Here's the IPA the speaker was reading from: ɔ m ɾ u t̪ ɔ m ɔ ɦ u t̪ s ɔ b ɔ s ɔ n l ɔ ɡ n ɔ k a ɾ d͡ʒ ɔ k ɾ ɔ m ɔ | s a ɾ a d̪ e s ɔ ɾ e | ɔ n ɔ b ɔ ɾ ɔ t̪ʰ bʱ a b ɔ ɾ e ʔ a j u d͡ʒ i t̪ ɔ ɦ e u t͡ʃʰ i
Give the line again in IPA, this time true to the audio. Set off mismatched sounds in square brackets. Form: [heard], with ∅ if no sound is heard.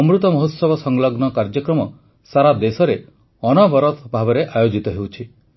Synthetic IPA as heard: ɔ m ɾ u t̪ ɔ m ɔ ɦ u t̪ s ɔ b ɔ s ɔ [ŋ] l ɔ ɡ n ɔ k a ɾ d͡ʒ ɔ k ɾ ɔ m ɔ | s a ɾ a d̪ e s ɔ ɾ e | ɔ n ɔ b ɔ ɾ ɔ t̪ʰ bʱ a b ɔ ɾ e ʔ a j [o] d͡ʒ i t̪ ɔ ɦ e [w] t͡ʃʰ i